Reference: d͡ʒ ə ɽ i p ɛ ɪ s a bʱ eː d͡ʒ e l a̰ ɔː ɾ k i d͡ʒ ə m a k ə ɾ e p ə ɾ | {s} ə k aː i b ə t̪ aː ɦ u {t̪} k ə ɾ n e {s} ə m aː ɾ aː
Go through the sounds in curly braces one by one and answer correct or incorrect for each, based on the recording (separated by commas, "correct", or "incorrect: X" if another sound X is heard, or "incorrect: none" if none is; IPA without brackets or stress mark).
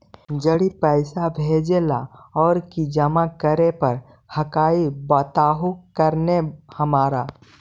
incorrect: h, incorrect: none, incorrect: h